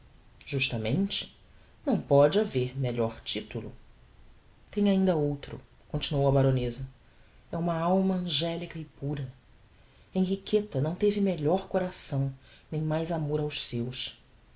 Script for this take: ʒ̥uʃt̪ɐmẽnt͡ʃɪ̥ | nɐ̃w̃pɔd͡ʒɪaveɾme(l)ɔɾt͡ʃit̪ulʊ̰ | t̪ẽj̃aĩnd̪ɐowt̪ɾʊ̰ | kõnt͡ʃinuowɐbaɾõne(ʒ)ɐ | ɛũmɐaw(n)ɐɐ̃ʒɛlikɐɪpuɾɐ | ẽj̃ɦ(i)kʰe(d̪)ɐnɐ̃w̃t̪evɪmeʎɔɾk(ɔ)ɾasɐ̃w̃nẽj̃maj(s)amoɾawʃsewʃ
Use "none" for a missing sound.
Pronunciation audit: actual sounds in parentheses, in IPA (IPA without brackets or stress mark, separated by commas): ʎ, z, m, i, t̪, o, z